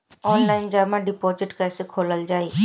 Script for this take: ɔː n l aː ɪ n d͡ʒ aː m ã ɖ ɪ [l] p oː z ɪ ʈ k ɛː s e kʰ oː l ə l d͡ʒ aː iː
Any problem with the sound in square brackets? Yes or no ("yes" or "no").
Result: yes